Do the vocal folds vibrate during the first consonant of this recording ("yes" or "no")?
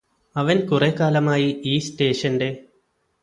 yes